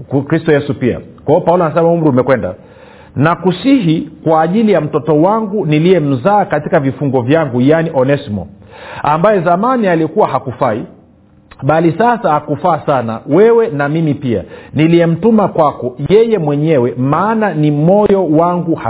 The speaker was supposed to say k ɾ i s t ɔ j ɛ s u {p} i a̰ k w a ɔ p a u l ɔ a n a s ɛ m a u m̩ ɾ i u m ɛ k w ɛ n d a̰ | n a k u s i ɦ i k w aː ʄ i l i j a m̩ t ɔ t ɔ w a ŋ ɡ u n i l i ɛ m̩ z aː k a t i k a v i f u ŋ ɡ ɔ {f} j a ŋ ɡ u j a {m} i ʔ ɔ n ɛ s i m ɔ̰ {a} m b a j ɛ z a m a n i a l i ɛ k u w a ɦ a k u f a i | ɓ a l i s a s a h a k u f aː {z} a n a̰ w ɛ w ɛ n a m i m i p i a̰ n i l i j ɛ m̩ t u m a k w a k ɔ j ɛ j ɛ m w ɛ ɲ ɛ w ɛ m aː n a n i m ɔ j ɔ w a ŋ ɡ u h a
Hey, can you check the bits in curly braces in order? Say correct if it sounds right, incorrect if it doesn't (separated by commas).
correct, incorrect, incorrect, correct, incorrect